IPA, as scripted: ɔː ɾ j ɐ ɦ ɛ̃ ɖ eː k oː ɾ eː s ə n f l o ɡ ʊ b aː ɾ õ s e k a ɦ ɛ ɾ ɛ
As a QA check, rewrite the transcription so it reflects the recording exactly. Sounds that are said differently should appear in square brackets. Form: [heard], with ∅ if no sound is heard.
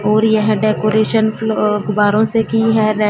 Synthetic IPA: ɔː ɾ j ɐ ɦ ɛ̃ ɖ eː k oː ɾ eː [ʃ] ə n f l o ɡ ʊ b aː ɾ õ s e k [i] ɦ ɛ ɾ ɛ